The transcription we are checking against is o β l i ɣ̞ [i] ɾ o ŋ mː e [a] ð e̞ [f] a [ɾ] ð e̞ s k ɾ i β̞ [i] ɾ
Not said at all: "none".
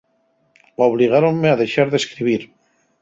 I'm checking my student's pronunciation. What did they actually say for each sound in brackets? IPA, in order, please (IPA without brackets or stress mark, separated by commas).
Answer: a, a, ʃ, ɾ, i